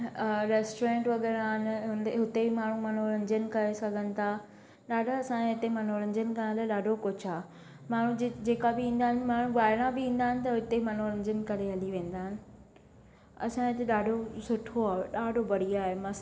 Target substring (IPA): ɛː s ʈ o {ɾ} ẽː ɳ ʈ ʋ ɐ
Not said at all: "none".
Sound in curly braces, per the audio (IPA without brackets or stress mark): ɾ